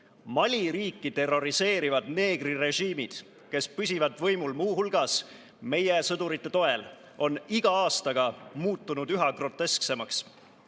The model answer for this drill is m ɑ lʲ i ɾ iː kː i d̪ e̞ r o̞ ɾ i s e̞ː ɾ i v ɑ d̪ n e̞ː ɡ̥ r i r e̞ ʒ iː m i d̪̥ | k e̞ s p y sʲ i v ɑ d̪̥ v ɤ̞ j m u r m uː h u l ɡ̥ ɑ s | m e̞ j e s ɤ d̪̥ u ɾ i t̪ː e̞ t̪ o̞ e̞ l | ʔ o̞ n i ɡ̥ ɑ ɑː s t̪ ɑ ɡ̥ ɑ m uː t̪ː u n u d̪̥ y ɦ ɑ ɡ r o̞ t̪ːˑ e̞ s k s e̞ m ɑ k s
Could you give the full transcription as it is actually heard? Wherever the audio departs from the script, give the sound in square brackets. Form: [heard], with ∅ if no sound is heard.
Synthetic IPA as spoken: m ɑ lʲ i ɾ iː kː i [t̪] e̞ r o̞ ɾ i s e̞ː ɾ i v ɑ d̪ n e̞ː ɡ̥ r i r e̞ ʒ iː m i d̪̥ | k e̞ s p y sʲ i v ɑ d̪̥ v ɤ̞ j m u [l] m uː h u l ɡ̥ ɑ s | m e̞ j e s ɤ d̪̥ u ɾ i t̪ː e̞ t̪ o̞ e̞ l | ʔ o̞ n i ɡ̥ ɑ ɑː s t̪ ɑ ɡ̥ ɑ m uː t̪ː u n u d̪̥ y ɦ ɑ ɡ r o̞ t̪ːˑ e̞ s k s e̞ m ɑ k s